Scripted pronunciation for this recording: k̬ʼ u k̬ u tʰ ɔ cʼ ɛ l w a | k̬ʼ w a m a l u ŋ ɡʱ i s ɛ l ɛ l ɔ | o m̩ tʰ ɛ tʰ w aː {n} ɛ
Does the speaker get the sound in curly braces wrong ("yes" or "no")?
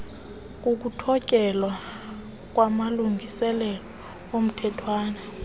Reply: no